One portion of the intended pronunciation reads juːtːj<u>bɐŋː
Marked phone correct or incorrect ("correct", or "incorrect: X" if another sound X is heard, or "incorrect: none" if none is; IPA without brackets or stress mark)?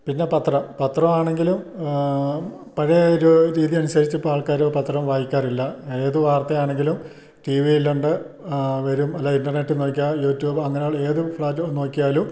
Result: incorrect: uː